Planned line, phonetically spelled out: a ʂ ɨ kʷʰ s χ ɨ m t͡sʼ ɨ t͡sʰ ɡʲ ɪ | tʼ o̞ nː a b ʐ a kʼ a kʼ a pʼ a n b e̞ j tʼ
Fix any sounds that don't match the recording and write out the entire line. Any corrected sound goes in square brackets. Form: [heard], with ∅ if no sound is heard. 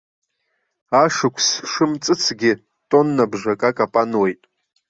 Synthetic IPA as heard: a ʂ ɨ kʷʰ s [ʂ] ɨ m t͡sʼ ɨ t͡sʰ ɡʲ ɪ | tʼ o̞ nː a b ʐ a kʼ a kʼ a pʼ a n [w] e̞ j tʼ